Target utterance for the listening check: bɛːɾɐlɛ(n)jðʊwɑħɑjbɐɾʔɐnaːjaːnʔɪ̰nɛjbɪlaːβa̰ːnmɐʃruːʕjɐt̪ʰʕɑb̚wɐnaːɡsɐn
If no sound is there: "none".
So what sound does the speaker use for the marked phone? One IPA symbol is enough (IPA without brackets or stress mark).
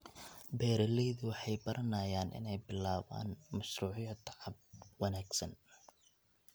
none